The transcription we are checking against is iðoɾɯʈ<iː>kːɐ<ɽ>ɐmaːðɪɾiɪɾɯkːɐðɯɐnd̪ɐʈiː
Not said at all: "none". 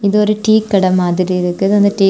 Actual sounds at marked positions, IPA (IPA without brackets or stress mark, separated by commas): iː, ɽ